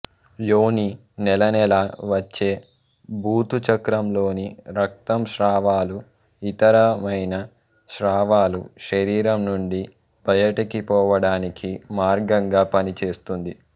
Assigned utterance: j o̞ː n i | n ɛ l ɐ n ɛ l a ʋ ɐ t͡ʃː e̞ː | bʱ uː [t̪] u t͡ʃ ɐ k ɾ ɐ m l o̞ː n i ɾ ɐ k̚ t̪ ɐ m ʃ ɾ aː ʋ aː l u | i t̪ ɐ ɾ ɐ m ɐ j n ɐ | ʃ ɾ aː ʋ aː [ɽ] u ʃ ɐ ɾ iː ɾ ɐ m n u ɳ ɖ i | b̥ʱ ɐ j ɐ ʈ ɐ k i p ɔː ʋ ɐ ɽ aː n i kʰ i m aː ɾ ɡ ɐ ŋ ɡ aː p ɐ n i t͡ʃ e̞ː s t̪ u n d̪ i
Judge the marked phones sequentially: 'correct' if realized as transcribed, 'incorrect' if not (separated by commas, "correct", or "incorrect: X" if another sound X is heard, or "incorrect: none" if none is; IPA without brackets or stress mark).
correct, incorrect: l